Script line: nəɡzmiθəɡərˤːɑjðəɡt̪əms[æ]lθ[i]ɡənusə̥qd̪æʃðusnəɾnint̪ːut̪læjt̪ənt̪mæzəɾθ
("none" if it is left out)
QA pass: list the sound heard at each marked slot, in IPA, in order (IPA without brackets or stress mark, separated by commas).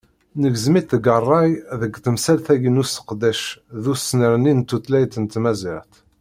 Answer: æ, æ